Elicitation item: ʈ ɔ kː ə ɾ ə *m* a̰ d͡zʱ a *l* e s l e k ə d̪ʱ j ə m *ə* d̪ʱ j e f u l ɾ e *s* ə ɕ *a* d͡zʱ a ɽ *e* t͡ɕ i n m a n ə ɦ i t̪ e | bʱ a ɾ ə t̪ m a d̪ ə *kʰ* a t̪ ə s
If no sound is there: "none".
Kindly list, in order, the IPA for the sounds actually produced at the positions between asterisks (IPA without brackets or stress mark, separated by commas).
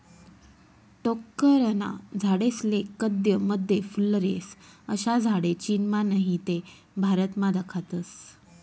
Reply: n, ɽ, ə, s, a, e, kʰ